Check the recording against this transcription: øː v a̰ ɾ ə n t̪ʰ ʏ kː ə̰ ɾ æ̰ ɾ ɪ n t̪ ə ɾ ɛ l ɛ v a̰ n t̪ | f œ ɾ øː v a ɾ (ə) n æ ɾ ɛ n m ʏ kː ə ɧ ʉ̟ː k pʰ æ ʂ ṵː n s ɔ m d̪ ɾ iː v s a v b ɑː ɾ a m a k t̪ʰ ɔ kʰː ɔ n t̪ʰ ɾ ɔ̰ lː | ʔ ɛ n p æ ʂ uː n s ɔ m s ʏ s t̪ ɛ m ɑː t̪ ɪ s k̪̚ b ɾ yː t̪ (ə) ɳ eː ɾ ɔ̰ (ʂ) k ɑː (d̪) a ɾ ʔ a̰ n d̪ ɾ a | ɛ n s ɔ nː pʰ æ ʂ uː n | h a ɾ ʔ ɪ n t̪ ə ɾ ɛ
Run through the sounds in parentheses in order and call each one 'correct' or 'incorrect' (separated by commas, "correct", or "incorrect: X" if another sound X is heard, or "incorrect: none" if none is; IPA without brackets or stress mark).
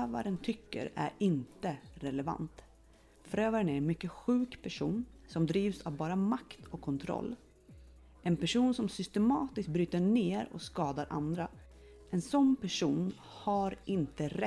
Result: correct, correct, incorrect: s, correct